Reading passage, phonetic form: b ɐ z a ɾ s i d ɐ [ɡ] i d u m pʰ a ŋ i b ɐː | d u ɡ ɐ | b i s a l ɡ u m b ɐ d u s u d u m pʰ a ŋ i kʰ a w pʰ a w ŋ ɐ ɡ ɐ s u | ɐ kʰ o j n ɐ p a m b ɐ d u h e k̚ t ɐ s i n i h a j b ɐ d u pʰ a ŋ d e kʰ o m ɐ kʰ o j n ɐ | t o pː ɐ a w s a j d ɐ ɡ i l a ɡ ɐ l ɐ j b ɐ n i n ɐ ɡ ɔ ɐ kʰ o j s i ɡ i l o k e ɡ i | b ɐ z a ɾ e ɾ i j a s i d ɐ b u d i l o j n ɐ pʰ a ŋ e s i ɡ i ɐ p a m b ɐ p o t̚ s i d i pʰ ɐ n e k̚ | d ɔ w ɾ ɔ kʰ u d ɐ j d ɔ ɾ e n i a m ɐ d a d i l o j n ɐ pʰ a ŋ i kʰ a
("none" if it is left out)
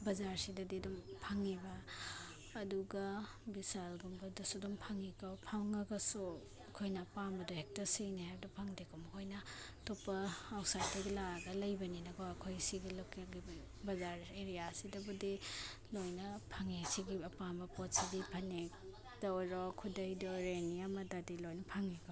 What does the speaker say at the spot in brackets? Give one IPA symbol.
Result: d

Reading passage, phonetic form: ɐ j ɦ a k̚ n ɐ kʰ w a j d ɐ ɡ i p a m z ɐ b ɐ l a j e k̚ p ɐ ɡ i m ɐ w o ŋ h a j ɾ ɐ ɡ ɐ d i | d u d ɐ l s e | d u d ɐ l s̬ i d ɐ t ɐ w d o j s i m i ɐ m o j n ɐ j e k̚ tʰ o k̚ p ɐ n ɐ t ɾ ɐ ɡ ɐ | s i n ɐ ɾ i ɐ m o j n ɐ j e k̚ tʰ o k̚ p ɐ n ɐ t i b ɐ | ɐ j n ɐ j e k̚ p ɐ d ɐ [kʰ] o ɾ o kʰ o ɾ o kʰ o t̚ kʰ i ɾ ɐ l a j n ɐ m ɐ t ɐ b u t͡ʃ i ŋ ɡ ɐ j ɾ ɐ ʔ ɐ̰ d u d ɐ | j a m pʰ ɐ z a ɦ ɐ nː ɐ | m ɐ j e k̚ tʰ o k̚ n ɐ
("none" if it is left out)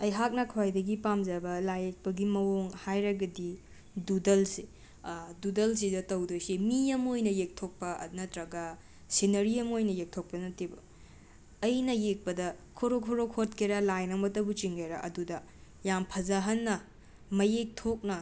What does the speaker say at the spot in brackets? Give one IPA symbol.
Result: kʰ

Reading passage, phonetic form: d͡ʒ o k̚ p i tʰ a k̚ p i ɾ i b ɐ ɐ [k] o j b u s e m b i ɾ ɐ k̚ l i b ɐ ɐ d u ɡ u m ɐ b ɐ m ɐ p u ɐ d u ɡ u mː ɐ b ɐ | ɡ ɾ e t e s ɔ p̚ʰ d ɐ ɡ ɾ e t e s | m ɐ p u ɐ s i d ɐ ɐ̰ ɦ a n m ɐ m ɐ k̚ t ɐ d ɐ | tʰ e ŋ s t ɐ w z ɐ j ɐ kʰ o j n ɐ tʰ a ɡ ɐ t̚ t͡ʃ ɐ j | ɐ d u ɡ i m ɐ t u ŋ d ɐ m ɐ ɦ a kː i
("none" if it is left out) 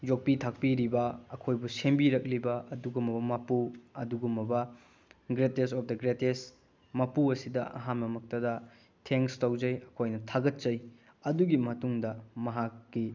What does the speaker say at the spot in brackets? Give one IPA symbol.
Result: kʰ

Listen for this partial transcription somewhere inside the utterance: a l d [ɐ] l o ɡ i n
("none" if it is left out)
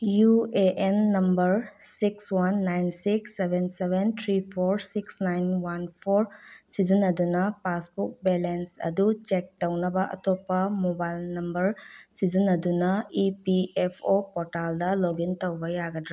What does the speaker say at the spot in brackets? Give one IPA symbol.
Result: ɐ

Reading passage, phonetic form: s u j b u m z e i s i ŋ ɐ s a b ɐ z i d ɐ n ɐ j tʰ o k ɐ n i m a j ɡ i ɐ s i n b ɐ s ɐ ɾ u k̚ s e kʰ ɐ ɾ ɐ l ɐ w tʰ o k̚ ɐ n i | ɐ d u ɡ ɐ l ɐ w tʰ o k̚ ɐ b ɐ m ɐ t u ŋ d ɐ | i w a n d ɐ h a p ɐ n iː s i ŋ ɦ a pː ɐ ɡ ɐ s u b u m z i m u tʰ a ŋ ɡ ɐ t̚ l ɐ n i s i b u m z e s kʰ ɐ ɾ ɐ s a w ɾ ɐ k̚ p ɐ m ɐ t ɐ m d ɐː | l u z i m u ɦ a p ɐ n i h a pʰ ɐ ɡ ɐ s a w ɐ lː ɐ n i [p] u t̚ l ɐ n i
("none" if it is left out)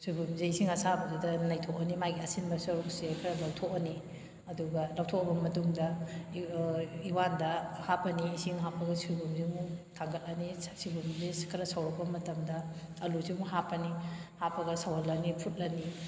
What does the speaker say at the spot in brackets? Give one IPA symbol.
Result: pʰ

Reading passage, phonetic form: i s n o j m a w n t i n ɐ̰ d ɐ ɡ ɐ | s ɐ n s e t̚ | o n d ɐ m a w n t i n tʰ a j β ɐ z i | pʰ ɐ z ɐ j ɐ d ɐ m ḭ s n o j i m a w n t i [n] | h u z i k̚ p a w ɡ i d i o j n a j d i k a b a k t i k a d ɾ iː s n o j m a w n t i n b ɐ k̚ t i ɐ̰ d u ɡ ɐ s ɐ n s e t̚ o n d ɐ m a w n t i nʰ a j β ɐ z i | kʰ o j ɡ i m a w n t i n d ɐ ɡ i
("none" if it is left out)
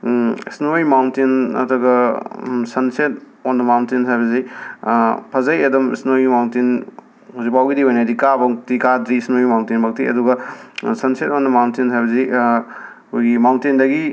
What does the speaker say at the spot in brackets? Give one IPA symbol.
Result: n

